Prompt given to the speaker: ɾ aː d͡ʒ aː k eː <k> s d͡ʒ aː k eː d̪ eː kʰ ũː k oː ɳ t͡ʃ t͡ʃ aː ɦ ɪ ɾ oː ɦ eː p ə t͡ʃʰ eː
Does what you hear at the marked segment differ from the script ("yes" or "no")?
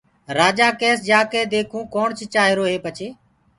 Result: yes